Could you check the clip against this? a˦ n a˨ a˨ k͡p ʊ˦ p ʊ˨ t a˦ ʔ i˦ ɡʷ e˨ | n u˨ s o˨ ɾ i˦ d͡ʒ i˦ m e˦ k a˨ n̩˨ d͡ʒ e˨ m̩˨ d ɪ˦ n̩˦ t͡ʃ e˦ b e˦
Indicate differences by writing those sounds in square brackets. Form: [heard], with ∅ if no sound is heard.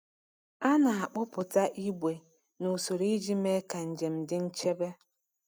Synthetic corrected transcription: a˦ n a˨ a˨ k͡p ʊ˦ p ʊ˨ t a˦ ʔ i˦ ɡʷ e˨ | n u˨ s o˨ ɾ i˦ d͡ʒ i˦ m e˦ k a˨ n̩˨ d͡ʒ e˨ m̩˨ d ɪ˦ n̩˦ t͡ʃ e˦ b e˦